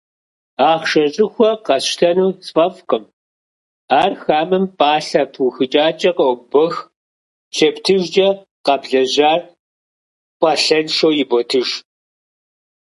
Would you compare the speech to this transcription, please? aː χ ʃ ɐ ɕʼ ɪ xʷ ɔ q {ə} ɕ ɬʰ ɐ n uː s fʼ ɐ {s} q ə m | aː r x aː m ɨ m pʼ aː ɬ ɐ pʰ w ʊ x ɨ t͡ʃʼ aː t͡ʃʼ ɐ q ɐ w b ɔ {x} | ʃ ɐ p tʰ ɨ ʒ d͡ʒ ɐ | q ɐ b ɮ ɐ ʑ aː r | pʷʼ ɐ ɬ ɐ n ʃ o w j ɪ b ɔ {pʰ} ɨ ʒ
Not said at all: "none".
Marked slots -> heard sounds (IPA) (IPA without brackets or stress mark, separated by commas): ɐ, f, x, tʰ